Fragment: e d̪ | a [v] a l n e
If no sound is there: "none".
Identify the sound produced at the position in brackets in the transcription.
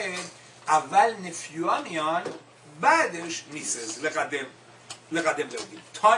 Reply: v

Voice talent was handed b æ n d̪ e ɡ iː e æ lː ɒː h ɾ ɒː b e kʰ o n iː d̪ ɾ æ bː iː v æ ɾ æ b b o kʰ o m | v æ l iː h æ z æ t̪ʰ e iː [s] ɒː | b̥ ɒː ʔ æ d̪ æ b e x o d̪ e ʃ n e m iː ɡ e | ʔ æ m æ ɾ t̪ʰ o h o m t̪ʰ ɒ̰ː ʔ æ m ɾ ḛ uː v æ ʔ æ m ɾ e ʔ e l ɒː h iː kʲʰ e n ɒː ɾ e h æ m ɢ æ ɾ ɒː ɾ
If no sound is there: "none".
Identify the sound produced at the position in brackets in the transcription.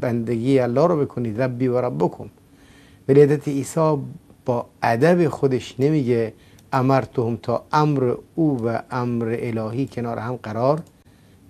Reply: s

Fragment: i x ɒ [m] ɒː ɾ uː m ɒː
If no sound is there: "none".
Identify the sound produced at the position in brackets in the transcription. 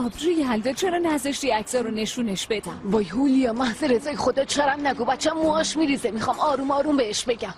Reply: m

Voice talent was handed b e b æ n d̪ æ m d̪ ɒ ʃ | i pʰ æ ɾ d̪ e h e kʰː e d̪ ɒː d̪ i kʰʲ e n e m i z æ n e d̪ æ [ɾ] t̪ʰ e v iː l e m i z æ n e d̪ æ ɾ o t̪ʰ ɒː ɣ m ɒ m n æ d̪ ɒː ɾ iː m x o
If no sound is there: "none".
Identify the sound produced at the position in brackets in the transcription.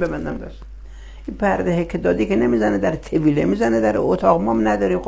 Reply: ɾ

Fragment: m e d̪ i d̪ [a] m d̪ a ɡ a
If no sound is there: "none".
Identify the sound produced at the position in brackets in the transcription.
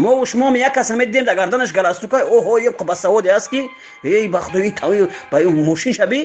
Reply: e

